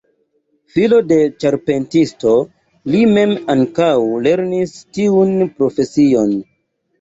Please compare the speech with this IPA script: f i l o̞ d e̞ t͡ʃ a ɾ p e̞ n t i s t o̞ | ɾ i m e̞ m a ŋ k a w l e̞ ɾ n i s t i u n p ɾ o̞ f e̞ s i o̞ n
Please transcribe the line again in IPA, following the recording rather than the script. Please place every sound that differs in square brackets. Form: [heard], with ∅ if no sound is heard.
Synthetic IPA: f i l o̞ d e̞ t͡ʃ a ɾ p e̞ n t i s t o̞ | [l] i m e̞ m a ŋ k a w l e̞ ɾ n i s t i u n p ɾ o̞ f e̞ s i o̞ n